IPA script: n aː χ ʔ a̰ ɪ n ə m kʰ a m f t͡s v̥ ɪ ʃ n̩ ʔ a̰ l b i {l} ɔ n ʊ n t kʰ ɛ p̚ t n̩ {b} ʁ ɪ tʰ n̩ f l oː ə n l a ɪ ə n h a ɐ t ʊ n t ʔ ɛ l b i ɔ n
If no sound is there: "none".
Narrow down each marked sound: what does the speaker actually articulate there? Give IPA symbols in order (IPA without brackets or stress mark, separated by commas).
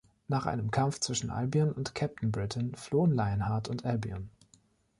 none, b